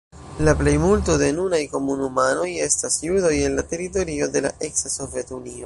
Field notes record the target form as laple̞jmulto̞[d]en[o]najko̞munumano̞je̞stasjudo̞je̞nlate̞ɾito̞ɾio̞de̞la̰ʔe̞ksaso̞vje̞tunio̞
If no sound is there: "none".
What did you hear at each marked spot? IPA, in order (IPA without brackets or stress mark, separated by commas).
d, u